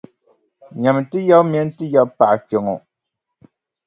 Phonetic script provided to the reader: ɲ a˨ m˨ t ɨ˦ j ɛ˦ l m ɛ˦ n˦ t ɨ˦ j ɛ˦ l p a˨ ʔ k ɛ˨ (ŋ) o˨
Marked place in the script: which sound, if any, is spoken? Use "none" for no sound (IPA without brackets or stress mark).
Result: ŋ